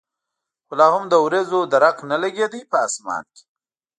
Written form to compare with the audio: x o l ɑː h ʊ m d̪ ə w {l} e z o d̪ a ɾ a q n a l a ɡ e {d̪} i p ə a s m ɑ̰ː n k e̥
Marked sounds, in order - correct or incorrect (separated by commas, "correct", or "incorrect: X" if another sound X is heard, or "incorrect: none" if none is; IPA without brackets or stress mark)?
incorrect: ɾ, correct